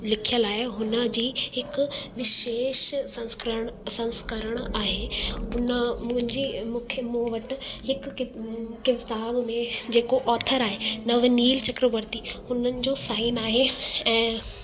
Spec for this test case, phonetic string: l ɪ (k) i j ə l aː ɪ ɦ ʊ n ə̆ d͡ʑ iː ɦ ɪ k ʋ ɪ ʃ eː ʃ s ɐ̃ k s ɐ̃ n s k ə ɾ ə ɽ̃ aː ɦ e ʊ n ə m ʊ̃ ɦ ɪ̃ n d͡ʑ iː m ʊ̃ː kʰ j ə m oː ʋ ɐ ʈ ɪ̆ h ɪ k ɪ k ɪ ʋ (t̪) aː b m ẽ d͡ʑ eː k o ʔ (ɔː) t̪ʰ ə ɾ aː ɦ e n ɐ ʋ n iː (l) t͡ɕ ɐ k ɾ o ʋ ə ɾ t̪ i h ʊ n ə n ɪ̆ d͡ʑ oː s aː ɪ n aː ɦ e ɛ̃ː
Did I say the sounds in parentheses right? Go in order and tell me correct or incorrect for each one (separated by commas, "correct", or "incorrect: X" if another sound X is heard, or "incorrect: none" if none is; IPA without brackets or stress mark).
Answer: incorrect: kʰ, correct, correct, correct